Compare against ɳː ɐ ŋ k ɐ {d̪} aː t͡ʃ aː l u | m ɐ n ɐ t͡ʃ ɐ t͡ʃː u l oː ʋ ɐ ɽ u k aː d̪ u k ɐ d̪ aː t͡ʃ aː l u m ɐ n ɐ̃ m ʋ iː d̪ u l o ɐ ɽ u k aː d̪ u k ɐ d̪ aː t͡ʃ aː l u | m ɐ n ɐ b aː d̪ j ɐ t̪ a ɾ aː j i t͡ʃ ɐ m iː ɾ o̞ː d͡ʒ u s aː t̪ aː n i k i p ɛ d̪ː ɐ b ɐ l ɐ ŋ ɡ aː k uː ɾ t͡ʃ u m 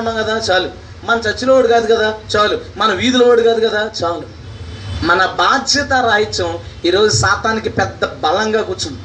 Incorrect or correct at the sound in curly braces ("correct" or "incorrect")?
correct